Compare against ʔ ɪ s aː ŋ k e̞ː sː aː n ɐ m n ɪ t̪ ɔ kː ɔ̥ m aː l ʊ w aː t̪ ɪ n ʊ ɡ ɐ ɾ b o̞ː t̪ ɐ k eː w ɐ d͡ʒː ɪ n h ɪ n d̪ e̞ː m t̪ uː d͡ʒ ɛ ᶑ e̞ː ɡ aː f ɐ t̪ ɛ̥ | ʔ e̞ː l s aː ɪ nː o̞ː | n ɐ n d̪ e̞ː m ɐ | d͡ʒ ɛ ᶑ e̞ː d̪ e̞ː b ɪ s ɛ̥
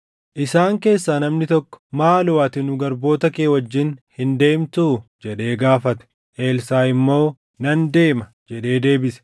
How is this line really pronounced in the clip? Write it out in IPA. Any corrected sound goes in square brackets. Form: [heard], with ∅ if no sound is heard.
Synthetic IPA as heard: ʔ ɪ s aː ŋ k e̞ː sː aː n ɐ m n ɪ t̪ ɔ kː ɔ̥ m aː l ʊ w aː t̪ ɪ n ʊ ɡ ɐ ɾ b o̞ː t̪ ɐ k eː w ɐ d͡ʒː ɪ n h ɪ n d̪ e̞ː m t̪ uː d͡ʒ ɛ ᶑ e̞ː ɡ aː f ɐ t̪ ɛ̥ | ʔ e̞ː l s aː ɪ [mː] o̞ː | n ɐ n d̪ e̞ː m ɐ | d͡ʒ ɛ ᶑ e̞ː d̪ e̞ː b ɪ s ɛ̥